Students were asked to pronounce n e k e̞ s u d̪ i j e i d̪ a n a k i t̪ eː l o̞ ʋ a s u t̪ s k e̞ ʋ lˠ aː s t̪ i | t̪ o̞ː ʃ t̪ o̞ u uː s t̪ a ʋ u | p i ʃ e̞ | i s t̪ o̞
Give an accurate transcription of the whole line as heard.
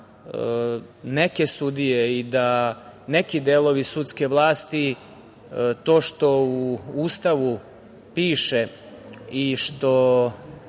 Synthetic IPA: n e k e̞ s u d̪ i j e i d̪ a n e k i d̪ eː l o̞ ʋ i s u t̪ s k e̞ ʋ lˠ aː s t̪ i | t̪ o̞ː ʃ t̪ o̞ u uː s t̪ a ʋ u | p iː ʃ e̞ | i ʃ t̪ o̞